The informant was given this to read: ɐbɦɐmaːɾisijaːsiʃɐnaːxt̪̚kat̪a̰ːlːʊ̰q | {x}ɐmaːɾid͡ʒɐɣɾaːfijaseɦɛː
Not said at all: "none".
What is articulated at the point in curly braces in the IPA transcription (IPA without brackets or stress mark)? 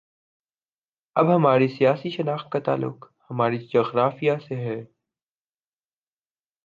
h